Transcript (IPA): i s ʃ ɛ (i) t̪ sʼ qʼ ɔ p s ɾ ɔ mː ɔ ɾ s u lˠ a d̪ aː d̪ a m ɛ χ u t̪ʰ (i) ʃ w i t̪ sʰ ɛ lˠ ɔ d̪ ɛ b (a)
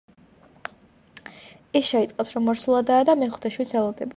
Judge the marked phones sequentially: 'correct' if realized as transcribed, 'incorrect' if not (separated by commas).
correct, incorrect, correct